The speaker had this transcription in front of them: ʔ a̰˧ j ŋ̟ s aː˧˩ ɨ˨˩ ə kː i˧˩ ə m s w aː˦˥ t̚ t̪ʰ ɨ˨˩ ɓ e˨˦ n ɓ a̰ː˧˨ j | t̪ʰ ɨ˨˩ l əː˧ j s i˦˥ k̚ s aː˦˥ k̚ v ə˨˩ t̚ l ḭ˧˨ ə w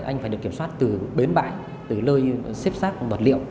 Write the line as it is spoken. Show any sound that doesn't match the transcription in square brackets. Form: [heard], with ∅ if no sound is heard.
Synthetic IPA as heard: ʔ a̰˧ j ŋ̟ [f] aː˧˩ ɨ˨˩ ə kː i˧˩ ə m s w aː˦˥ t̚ [t̪] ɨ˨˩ ɓ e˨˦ n ɓ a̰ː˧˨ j | [t̪] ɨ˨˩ l əː˧ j s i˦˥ [p̚] s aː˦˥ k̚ v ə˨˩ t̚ l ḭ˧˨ ə w

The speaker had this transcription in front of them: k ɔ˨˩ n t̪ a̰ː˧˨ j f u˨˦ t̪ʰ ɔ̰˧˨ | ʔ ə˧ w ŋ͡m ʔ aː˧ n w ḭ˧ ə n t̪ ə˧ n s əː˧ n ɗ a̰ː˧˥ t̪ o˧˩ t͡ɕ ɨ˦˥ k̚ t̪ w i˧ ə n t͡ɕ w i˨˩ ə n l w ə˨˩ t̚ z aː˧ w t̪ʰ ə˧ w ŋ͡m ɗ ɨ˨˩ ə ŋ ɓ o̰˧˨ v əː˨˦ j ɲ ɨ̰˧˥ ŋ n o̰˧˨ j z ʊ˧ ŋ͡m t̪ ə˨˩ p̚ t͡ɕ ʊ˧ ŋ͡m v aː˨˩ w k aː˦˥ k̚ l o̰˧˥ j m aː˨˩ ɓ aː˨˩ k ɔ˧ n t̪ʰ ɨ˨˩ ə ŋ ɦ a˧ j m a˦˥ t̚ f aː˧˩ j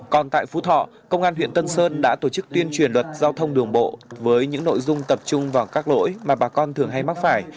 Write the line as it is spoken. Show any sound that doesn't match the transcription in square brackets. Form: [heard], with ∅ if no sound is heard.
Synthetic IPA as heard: k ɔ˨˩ n t̪ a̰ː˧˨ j f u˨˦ t̪ʰ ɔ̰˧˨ | [k] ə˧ w ŋ͡m ʔ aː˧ n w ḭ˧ ə n t̪ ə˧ n s əː˧ n ɗ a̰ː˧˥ t̪ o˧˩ t͡ɕ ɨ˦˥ k̚ t̪ w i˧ ə n t͡ɕ w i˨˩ ə n l w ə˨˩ t̚ z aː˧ w t̪ʰ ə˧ w ŋ͡m ɗ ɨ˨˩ ə ŋ ɓ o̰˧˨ v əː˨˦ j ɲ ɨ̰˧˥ ŋ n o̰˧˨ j z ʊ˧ ŋ͡m t̪ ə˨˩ p̚ t͡ɕ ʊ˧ ŋ͡m v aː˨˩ w k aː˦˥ k̚ l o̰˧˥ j m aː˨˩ ɓ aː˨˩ k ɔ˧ n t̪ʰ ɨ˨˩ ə ŋ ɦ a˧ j m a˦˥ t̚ f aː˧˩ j

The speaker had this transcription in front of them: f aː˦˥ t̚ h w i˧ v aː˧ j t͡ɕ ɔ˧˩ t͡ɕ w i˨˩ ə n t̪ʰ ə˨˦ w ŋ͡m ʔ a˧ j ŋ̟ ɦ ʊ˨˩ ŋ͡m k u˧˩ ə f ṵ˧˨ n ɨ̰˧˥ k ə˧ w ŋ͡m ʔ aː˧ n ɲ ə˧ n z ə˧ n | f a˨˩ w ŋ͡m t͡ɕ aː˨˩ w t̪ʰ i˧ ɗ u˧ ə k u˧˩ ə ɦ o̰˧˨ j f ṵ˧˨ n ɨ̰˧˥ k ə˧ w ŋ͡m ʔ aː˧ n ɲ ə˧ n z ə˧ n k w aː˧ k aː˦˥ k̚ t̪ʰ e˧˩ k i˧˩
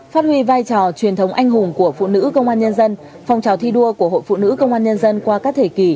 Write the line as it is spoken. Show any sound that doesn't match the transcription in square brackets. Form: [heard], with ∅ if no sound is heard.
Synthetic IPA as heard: f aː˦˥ t̚ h w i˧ v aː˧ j t͡ɕ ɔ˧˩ t͡ɕ w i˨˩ ə n t̪ʰ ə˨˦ w ŋ͡m ʔ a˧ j ŋ̟ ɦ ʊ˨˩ ŋ͡m k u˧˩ ə f ṵ˧˨ n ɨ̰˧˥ k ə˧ w ŋ͡m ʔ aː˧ n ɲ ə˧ n z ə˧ n | f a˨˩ w ŋ͡m t͡ɕ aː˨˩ w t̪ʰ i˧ ɗ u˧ ə k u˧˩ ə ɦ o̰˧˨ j f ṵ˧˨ n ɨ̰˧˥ k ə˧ w ŋ͡m ʔ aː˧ n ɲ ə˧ n z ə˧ n k w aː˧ k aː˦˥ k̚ t̪ʰ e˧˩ k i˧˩

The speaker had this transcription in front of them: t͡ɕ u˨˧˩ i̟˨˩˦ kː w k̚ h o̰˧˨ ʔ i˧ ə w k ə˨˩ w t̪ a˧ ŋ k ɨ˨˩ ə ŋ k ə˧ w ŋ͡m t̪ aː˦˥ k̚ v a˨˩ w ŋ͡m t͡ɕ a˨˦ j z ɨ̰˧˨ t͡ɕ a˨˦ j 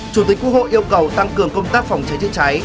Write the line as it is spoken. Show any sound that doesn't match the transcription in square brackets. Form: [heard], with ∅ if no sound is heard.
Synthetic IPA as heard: t͡ɕ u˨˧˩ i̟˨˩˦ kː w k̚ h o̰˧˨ ʔ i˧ ə w k ə˨˩ w t̪ a˧ ŋ k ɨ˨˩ ə ŋ k ə˧ w ŋ͡m t̪ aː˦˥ k̚ [f] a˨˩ w ŋ͡m t͡ɕ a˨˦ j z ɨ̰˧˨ t͡ɕ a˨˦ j

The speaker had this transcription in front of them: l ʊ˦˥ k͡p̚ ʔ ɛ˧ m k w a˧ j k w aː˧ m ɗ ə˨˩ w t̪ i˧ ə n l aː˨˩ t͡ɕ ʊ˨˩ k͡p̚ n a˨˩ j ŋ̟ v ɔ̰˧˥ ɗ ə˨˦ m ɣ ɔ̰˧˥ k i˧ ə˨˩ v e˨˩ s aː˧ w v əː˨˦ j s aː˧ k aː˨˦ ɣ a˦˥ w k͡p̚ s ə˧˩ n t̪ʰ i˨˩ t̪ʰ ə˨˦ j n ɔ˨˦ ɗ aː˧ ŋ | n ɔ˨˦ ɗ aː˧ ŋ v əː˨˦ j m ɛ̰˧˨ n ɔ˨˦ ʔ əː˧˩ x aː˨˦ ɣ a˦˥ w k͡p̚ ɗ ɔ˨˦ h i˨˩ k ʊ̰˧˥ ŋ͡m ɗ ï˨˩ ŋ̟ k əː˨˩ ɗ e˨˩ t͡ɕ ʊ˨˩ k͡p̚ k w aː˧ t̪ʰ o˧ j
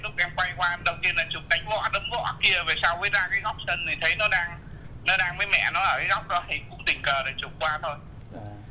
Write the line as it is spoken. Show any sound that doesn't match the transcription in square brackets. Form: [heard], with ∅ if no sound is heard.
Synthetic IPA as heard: l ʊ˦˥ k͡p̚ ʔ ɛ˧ m k w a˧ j k w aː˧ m ɗ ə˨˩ w t̪ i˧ ə n l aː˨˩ t͡ɕ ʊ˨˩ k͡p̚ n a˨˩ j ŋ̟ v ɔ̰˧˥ ɗ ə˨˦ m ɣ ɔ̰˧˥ k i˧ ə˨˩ v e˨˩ s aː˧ w v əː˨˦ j [z] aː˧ k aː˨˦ ɣ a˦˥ w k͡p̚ s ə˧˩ n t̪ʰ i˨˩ t̪ʰ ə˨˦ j n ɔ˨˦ ɗ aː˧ ŋ | n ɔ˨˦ ɗ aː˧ ŋ v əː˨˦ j m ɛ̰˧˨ n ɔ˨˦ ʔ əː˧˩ [k] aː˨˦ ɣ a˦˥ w k͡p̚ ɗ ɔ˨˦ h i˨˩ k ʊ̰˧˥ ŋ͡m ɗ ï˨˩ ŋ̟ k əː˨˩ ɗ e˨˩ t͡ɕ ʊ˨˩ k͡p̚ k w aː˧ t̪ʰ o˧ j

